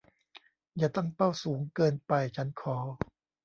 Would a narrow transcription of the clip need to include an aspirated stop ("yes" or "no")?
yes